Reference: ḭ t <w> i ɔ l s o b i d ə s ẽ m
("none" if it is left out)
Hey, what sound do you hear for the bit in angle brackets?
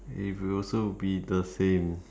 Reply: w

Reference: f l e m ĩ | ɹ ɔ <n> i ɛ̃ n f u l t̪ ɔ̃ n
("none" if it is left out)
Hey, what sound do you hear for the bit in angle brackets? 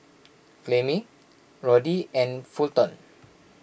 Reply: d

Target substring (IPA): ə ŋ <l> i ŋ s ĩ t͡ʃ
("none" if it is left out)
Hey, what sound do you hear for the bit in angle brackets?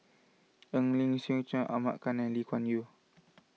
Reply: l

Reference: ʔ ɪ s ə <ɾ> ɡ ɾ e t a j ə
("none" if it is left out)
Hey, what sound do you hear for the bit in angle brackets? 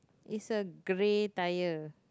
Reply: none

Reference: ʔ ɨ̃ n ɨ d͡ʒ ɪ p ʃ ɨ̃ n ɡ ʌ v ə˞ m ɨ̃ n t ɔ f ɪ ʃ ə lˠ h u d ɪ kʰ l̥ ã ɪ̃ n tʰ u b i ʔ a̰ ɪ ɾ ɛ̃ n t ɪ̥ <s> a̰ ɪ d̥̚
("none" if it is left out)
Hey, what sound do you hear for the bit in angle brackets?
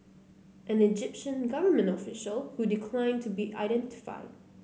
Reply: f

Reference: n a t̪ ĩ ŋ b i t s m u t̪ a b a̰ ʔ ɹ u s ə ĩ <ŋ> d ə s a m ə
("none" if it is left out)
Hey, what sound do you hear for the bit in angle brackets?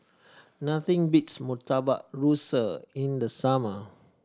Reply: n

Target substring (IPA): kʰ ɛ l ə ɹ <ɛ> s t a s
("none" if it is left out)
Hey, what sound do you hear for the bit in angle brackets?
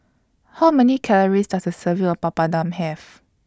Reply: i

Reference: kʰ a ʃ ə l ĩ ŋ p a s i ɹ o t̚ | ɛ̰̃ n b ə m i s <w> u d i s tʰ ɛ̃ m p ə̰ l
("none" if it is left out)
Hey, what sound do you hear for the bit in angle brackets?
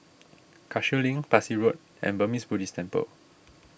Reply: b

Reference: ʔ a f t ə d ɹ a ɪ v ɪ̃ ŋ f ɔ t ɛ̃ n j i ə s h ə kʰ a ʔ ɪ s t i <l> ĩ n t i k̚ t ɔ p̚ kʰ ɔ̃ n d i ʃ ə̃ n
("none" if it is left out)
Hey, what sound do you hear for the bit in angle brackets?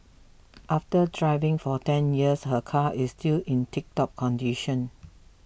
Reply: l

